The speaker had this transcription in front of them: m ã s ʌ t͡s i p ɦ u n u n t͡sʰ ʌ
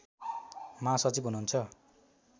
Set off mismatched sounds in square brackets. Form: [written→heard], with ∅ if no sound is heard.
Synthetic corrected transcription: m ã s ʌ t͡s i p ɦ u n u n t͡sʰ ʌ